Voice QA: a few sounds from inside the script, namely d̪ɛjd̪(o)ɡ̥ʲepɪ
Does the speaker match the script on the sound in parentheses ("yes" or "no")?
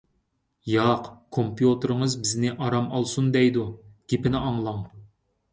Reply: no